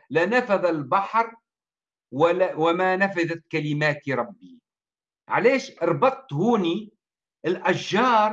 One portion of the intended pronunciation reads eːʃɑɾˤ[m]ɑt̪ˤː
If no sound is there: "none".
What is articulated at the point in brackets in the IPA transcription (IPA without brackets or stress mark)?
b